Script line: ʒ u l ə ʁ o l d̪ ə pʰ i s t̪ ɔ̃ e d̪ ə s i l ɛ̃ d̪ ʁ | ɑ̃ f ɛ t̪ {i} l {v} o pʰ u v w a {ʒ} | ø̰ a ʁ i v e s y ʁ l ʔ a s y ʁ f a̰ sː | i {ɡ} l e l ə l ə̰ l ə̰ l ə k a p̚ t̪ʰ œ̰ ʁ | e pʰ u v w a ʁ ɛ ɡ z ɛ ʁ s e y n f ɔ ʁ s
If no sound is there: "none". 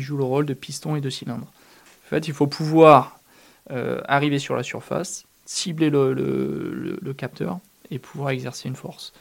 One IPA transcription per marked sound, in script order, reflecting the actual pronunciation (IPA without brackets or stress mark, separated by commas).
i, f, ʁ, b